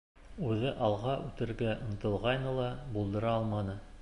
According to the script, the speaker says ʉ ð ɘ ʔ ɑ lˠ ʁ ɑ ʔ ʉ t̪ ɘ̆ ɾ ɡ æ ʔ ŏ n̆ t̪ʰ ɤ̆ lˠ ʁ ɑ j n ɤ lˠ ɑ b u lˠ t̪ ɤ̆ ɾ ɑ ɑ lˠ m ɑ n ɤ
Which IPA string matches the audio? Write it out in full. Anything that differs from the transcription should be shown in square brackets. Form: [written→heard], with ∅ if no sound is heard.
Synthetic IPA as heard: ʉ ð ɘ ʔ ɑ lˠ ʁ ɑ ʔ ʉ t̪ ɘ̆ ɾ ɡ æ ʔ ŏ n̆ [t̪ʰ→t̪] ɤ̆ lˠ ʁ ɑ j n ɤ lˠ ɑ b u lˠ [t̪→d̪] ɤ̆ ɾ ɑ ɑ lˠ m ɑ n ɤ